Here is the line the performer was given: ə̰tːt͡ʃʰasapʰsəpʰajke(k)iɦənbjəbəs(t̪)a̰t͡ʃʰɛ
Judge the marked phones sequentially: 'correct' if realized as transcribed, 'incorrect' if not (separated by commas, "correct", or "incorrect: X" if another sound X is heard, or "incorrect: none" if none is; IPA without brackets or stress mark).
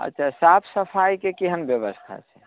correct, incorrect: t̪ʰ